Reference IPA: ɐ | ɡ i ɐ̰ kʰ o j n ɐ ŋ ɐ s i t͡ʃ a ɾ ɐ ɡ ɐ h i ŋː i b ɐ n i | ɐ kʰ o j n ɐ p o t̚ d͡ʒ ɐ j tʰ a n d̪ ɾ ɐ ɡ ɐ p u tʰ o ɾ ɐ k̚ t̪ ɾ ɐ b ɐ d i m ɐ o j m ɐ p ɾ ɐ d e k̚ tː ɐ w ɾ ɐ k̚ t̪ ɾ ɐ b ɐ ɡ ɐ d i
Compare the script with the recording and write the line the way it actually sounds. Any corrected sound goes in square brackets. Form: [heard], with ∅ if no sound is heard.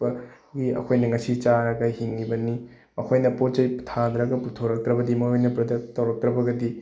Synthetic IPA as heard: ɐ | ɡ i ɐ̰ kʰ o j n ɐ ŋ ɐ s i t͡ʃ a ɾ ɐ ɡ ɐ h i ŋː i b ɐ n i | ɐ kʰ o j n ɐ p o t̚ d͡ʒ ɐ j tʰ a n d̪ ɾ ɐ ɡ ɐ p u tʰ o ɾ ɐ k̚ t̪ ɾ ɐ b ɐ d i m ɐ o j [n] ɐ p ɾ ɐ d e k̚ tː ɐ w ɾ ɐ k̚ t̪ ɾ ɐ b ɐ ɡ ɐ d i

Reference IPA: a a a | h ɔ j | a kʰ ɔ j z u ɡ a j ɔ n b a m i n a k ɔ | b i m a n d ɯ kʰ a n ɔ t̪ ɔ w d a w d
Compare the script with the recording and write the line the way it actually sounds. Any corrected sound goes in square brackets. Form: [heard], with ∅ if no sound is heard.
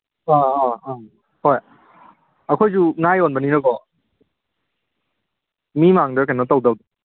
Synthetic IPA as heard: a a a | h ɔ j | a kʰ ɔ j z u [ŋ] a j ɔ n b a [n] i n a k ɔ | [m] i m a [ŋ] d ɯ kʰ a n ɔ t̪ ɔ w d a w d

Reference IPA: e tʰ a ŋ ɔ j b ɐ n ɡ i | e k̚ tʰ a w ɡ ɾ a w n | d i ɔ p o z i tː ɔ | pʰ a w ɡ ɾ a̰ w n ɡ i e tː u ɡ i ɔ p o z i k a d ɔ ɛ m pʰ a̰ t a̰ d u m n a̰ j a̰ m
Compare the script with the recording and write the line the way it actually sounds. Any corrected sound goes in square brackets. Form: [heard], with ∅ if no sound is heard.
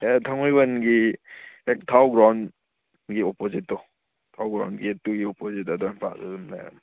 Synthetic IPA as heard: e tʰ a ŋ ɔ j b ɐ n ɡ i | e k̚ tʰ a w ɡ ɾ a w n | [ɡ] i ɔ p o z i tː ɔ | [tʰ] a w ɡ ɾ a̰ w n ɡ i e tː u ɡ i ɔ p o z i [t] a d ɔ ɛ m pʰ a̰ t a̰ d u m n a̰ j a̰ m

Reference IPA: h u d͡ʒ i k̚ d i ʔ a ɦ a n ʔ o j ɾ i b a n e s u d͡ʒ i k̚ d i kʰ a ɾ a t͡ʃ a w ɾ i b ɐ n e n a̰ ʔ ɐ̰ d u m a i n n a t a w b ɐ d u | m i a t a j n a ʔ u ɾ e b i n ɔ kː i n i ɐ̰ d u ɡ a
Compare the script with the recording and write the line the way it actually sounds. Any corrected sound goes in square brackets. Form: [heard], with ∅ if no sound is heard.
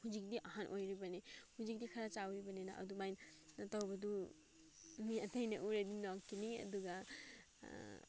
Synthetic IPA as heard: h u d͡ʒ i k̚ d i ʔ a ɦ a n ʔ o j ɾ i b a n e [h] u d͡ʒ i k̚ d i kʰ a ɾ a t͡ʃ a w ɾ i b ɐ n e n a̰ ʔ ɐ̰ d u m a [j] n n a t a w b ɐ d u | m i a t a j n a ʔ u ɾ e [d] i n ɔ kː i n i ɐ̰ d u ɡ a

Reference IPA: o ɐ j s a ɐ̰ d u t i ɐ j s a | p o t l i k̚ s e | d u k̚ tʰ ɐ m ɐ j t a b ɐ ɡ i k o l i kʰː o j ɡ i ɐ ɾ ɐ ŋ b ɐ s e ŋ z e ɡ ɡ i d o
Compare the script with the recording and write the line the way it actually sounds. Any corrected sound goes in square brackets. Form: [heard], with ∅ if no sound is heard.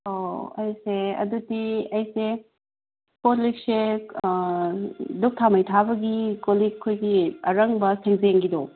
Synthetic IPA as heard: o ɐ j s [e] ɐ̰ d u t i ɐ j s [e] | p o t l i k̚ s e | d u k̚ tʰ [a] m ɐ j [tʰ] a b ɐ ɡ i k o l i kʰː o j ɡ i ɐ ɾ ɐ ŋ b ɐ s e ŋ z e [ŋ] ɡ i d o

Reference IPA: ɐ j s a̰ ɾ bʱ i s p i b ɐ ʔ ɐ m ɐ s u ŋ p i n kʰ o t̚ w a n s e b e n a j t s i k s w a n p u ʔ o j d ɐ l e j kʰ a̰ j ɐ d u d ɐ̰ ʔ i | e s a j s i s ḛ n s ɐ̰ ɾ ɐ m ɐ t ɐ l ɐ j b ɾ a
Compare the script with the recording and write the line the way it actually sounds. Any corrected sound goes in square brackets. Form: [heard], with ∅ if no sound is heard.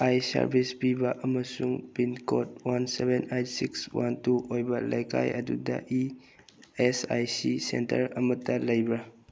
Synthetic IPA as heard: [a] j s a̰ ɾ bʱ i s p i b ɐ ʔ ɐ m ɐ s u ŋ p i n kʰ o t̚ w a n s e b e n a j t s i k s w a n [t] u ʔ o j [b] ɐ l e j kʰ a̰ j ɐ d u d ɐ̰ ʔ i | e s a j s i s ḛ n [t] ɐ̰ ɾ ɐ m ɐ t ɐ l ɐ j b ɾ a

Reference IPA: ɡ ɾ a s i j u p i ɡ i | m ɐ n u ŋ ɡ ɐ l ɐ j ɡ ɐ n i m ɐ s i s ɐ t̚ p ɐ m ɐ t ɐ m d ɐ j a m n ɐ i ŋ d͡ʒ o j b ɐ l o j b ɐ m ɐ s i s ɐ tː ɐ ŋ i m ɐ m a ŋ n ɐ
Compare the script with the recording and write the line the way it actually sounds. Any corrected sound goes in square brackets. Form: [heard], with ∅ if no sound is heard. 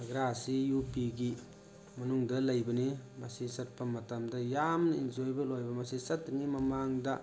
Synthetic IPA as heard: ɡ ɾ a s i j u p i ɡ i | m ɐ n u ŋ [d] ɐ l ɐ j [b] ɐ n i m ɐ s i s ɐ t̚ p ɐ m ɐ t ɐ m d ɐ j a m n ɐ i [n] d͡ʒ o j b ɐ l o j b ɐ m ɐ s i s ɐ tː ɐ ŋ i m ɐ m a ŋ [d] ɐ

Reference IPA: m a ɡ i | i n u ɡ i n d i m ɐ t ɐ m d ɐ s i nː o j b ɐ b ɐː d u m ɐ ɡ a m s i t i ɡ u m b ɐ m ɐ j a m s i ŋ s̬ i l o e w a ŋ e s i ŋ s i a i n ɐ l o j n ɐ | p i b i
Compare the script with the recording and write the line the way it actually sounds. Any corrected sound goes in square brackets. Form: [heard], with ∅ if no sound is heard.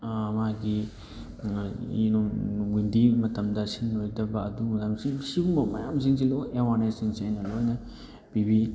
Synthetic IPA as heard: m a ɡ i | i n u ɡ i n d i m ɐ t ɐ m d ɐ s i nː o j [d] ɐ b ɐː d u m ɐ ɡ a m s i [s] i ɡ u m b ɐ m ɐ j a m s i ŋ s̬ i l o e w a [n] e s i ŋ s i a [j] n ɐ l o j n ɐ | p i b i

